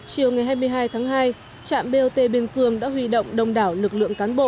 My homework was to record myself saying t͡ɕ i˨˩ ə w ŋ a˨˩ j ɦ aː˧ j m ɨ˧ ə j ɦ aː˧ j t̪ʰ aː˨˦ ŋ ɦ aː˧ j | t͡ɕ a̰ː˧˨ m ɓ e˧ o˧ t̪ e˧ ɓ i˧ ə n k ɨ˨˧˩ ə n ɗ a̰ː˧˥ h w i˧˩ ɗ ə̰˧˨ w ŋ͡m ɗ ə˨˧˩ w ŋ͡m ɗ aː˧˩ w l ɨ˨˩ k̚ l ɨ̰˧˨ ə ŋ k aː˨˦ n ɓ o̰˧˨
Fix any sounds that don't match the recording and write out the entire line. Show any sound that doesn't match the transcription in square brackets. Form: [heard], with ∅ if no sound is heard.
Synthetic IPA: t͡ɕ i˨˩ ə w ŋ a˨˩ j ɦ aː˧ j m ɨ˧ ə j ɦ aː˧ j t̪ʰ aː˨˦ ŋ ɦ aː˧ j | t͡ɕ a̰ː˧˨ m ɓ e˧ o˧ t̪ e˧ ɓ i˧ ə n k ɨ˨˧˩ ə [ŋ] ɗ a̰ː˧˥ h w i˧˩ ɗ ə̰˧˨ w ŋ͡m ɗ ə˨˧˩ w ŋ͡m ɗ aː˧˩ w l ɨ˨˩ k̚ l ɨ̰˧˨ ə ŋ k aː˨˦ n ɓ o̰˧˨